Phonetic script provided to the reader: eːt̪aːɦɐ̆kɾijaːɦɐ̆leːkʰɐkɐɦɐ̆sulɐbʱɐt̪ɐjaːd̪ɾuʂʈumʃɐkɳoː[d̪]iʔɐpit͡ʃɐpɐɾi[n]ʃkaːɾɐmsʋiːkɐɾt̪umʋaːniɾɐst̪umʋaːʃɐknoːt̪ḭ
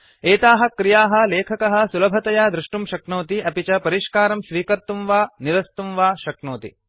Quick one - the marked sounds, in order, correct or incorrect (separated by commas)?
incorrect, incorrect